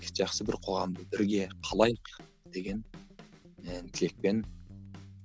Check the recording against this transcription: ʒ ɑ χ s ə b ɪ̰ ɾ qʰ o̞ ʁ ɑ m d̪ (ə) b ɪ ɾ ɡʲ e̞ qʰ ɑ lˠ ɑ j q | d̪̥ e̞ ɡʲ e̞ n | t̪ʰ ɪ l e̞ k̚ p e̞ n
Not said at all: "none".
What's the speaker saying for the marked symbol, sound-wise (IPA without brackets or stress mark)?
ə